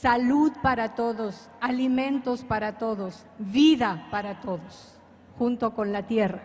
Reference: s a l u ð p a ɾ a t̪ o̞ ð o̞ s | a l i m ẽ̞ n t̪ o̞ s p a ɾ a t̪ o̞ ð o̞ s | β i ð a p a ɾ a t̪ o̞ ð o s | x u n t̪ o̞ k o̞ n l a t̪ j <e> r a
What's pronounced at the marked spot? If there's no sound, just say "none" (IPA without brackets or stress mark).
e